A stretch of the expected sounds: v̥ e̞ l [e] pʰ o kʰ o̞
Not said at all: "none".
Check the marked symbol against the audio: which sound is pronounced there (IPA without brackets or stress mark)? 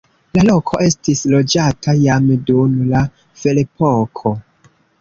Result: e